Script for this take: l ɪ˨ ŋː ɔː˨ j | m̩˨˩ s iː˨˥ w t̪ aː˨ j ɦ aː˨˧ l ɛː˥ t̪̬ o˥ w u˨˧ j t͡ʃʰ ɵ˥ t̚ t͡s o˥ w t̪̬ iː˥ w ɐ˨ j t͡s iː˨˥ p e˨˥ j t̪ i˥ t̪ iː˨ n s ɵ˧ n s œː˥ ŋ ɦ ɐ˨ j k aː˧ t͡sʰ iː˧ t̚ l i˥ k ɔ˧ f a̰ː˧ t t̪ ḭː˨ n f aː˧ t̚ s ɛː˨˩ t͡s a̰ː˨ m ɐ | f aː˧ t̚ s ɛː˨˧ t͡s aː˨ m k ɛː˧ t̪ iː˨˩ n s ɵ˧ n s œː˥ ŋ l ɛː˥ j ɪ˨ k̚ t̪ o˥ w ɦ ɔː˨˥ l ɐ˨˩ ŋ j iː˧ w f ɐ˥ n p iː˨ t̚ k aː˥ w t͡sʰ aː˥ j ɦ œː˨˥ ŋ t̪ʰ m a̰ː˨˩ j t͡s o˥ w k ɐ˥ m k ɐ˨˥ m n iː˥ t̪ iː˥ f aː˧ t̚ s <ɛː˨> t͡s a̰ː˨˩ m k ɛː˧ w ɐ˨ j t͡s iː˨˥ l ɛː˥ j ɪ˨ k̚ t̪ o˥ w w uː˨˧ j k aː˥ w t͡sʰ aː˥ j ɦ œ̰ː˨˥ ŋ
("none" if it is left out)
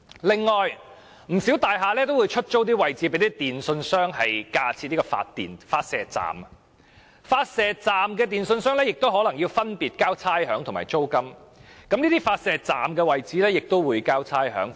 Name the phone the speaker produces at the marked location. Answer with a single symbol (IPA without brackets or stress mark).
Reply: ɛː˨